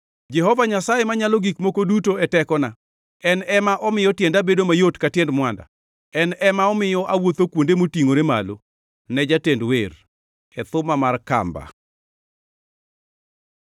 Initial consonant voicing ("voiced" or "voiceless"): voiced